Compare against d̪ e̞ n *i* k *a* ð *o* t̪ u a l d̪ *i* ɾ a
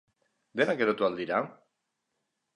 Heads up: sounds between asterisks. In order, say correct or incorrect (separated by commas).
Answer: incorrect, incorrect, correct, correct